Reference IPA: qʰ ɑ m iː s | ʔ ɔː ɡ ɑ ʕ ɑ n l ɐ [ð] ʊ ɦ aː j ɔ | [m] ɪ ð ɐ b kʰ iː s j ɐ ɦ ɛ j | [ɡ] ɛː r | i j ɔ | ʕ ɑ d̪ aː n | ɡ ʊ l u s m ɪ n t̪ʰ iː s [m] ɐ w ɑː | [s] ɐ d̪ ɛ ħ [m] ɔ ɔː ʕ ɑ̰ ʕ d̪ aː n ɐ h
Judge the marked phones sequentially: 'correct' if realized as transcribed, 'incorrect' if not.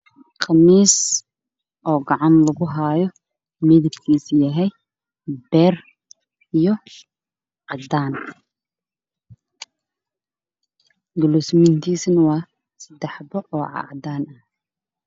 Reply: incorrect, correct, incorrect, incorrect, correct, incorrect

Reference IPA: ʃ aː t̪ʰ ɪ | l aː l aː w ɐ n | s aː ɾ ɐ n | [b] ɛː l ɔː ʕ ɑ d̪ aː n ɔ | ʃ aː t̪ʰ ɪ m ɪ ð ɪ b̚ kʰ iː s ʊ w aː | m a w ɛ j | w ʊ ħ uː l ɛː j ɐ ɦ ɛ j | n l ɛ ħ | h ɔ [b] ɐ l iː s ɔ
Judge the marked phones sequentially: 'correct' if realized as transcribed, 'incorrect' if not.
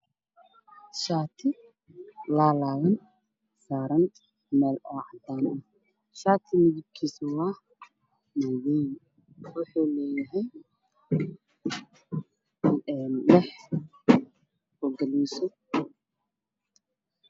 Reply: incorrect, incorrect

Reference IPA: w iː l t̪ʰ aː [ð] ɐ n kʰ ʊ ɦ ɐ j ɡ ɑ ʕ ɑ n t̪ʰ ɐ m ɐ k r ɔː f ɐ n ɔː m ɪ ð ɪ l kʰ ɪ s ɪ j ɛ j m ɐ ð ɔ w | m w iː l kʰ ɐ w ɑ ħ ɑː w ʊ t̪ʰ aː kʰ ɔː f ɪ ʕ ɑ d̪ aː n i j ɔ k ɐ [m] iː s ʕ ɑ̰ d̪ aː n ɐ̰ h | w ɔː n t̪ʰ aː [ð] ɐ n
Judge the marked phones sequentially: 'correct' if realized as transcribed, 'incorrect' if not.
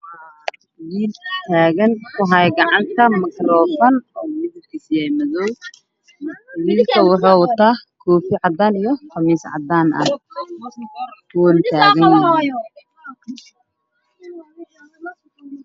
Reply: incorrect, correct, incorrect

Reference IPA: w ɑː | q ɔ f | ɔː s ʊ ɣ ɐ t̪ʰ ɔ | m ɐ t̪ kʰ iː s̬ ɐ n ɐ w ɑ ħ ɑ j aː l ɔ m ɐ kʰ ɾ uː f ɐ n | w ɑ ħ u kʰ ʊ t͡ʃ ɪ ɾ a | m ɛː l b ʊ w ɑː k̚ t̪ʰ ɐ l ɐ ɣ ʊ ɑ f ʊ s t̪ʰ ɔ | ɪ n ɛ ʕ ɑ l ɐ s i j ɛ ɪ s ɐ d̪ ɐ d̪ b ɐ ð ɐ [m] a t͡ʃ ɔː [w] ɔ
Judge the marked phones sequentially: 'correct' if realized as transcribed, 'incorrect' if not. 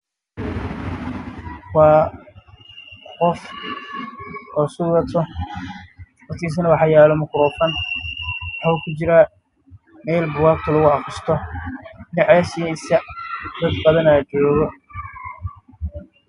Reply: incorrect, incorrect

